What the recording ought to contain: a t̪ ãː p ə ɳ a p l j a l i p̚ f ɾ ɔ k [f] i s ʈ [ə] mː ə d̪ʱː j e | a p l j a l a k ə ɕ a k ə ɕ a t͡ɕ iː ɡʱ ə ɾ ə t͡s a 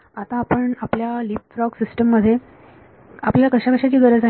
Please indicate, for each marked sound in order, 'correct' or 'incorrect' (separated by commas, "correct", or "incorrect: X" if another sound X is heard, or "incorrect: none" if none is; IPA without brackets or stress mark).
incorrect: s, correct